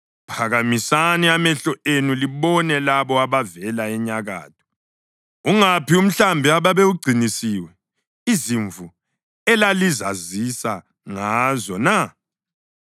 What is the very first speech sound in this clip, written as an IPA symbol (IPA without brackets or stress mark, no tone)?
pʰ